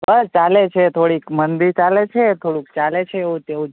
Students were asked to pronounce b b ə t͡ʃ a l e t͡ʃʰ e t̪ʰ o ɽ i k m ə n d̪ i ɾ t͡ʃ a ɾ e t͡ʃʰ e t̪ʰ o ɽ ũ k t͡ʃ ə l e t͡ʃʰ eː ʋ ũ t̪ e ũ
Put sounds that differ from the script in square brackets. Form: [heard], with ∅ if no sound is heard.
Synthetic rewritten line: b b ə t͡ʃ a l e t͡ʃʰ e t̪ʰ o ɽ i k m ə n d̪ i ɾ t͡ʃ a [l] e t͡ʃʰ e t̪ʰ o ɽ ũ k t͡ʃ [a] l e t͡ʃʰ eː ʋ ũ t̪ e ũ